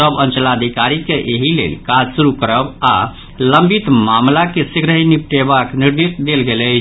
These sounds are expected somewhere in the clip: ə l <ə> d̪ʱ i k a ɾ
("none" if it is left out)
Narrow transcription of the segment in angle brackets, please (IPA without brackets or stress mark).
a